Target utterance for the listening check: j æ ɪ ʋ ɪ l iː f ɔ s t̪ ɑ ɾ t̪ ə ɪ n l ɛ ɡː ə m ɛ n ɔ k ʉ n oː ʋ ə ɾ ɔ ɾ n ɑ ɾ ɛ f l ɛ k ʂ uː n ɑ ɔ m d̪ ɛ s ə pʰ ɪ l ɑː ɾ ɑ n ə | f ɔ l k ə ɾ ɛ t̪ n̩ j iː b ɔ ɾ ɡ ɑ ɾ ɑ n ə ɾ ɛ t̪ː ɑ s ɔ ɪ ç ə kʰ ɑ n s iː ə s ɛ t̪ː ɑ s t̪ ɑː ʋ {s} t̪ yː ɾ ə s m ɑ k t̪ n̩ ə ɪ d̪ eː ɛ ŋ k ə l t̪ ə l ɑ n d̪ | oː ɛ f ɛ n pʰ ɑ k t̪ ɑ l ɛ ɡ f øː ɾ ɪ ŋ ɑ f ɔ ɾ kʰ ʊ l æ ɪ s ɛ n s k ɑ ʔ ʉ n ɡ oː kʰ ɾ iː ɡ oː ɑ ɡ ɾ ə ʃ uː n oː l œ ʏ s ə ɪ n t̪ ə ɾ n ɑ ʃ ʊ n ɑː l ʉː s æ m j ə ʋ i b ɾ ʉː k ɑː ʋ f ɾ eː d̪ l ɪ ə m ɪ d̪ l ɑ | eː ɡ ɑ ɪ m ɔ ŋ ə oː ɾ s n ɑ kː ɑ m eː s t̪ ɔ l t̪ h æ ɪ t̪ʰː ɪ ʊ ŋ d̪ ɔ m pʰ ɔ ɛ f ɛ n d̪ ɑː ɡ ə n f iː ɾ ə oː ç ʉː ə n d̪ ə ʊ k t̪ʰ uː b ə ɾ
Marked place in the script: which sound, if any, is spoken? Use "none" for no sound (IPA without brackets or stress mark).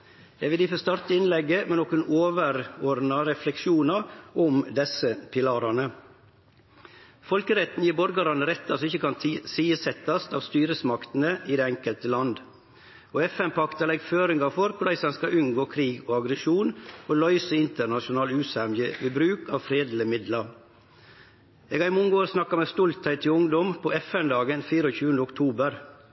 s